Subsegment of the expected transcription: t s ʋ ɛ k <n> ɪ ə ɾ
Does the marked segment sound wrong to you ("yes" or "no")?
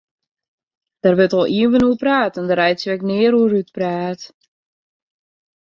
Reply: no